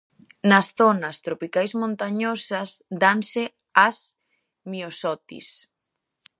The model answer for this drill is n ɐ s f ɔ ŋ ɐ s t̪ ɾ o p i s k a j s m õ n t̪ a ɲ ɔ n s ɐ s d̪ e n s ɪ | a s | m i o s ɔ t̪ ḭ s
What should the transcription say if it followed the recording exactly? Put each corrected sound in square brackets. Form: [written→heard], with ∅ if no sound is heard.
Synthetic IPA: n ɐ s [f→θ] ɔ [ŋ→n] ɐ s t̪ ɾ o p i [s→∅] k a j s m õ n t̪ a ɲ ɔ [n→∅] s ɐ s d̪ [e→a] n s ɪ | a s | m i o s ɔ t̪ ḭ s